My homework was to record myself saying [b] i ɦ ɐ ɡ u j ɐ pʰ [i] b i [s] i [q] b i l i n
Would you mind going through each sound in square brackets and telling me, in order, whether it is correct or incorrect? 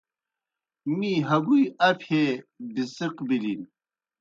incorrect, incorrect, correct, correct

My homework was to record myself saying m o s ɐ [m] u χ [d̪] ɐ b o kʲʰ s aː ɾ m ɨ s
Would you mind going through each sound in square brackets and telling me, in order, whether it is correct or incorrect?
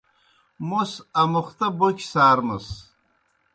correct, incorrect

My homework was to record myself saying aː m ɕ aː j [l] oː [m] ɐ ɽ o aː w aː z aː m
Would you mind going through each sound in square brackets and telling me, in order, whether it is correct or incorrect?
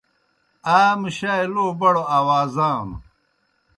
correct, incorrect

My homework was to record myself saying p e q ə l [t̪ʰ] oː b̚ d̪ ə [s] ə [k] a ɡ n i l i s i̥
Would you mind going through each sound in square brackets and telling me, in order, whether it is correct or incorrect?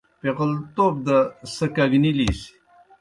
incorrect, correct, correct

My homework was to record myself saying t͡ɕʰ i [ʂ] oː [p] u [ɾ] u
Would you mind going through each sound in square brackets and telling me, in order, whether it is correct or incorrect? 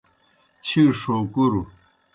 correct, incorrect, correct

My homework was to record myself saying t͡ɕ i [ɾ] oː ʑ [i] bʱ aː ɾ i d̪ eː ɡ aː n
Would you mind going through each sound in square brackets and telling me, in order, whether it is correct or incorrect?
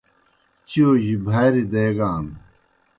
incorrect, correct

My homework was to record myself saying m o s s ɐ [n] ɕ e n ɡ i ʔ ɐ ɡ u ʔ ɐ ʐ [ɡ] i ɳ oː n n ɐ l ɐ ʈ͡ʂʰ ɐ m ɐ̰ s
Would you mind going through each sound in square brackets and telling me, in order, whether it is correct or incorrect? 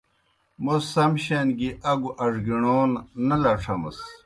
incorrect, correct

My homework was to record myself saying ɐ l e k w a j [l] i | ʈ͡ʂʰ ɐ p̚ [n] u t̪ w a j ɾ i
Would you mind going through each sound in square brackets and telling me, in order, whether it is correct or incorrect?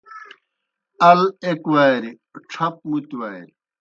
incorrect, incorrect

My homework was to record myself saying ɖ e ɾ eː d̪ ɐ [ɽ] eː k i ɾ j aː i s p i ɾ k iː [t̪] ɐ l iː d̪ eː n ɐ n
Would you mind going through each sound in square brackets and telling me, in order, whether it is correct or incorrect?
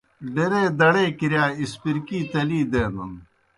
correct, correct

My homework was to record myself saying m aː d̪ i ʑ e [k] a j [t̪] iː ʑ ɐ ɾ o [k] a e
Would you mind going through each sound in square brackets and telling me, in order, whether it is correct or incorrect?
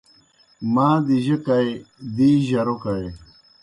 correct, incorrect, correct

